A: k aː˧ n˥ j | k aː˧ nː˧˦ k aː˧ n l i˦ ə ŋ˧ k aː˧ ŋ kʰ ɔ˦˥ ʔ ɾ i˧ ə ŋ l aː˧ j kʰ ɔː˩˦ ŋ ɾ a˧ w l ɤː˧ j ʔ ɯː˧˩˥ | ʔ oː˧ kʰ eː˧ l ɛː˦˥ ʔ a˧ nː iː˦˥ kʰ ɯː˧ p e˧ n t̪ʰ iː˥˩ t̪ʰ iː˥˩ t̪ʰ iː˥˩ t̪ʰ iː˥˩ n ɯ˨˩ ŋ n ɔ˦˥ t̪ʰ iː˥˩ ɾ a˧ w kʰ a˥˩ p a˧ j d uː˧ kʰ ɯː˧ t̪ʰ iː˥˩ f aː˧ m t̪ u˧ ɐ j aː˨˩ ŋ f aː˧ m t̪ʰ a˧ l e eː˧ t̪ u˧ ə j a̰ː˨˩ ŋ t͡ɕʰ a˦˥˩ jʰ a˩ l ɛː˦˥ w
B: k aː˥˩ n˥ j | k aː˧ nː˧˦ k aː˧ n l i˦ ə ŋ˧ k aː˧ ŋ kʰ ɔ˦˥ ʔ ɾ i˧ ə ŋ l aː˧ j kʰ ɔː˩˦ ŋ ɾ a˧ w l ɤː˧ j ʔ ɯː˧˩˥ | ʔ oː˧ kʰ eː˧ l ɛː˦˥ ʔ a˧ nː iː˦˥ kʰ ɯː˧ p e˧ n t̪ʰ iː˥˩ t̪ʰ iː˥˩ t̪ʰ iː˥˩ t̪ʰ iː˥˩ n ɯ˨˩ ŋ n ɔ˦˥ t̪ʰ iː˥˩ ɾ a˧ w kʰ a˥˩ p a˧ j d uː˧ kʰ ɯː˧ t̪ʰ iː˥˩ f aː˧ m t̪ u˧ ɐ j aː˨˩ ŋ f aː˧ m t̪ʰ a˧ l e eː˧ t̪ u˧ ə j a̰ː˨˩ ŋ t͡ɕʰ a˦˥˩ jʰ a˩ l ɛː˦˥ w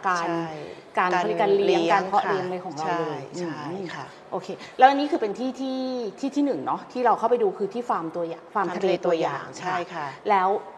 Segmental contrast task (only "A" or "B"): A